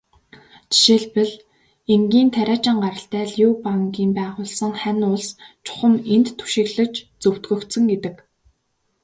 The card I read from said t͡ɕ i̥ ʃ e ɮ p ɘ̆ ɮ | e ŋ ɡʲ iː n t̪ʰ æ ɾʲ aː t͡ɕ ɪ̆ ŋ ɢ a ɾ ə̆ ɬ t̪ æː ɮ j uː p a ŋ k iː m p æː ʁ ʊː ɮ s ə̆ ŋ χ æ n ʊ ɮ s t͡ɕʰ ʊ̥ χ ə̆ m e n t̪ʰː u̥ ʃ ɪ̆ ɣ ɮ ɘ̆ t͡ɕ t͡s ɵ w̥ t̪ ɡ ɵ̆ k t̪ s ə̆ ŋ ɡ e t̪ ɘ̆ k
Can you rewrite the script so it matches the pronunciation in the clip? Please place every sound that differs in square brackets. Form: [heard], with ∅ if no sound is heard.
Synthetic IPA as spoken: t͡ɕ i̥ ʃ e ɮ p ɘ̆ ɮ | e ŋ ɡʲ iː n t̪ʰ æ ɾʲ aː t͡ɕ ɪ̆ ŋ ɢ a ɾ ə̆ ɬ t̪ æː ɮ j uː p a ŋ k iː m p æː ʁ ʊː ɮ s ə̆ ŋ χ æ n ʊ ɮ s t͡ɕʰ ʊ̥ χ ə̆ m e n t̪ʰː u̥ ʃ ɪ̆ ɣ ɮ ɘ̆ t͡ɕ t͡s ɵ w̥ t̪ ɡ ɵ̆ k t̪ s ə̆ ŋ ɡ e t̪ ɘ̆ k